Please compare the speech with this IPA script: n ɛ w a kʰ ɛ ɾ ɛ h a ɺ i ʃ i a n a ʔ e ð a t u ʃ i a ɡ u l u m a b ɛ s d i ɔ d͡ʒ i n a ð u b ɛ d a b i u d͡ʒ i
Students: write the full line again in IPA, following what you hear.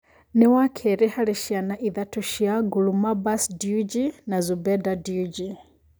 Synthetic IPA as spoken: n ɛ w a kʰ ɛ ɾ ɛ h a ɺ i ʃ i a n a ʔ i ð a t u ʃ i a ɡ u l u m a b a s d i u d͡ʒ i n a z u b ɛ d a d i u d͡ʒ i